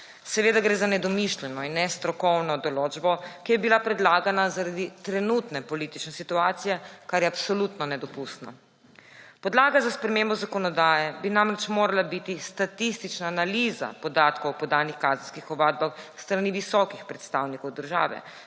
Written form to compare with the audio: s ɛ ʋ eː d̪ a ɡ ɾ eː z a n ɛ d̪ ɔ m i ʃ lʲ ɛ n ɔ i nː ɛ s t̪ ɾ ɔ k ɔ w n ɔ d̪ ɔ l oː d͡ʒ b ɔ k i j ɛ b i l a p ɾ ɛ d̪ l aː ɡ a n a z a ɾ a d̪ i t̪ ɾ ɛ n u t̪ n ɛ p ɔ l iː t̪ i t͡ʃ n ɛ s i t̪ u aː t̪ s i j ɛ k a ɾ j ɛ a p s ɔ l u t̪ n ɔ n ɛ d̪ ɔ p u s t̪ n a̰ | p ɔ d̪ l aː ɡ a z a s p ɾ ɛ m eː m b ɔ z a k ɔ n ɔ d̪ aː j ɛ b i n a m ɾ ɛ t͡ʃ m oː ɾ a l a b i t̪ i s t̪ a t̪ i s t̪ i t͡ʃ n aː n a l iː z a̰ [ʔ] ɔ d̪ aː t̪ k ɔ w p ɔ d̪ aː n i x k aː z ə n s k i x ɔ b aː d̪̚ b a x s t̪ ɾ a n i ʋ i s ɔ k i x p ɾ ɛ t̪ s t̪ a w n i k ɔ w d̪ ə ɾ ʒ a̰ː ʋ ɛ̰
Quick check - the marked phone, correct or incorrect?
incorrect